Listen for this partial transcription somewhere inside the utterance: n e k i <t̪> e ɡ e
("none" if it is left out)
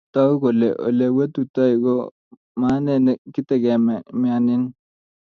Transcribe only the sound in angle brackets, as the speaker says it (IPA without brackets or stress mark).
t̪